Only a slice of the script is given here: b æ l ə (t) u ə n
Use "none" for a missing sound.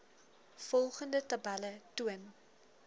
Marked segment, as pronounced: t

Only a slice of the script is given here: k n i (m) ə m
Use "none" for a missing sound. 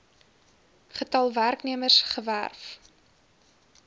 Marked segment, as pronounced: none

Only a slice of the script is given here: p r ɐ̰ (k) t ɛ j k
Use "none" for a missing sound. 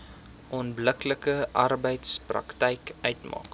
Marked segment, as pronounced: k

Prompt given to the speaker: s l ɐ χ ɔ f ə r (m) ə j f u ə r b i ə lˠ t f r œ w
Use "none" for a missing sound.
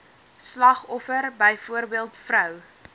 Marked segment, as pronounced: b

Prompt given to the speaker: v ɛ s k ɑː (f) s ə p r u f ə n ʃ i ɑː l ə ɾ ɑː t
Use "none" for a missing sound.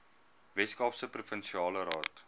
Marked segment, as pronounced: f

